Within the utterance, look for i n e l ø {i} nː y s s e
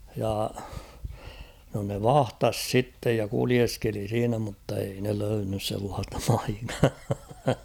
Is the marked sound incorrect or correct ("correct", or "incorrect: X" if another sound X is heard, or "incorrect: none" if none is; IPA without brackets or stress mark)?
incorrect: y